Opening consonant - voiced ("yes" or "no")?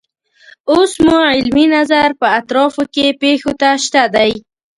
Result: no